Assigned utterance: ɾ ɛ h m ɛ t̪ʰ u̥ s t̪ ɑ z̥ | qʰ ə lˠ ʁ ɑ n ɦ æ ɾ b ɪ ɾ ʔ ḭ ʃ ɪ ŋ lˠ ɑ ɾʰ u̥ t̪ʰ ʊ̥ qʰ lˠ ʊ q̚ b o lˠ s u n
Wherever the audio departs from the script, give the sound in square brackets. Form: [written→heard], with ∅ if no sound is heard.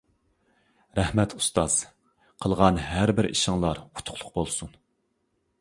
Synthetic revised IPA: ɾ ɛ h m ɛ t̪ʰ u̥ s t̪ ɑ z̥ | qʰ ə lˠ ʁ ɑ n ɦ æ ɾ b ɪ ɾ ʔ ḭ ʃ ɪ ŋ lˠ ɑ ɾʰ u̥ t̪ʰ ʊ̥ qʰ lˠ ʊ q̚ b o lˠ s u n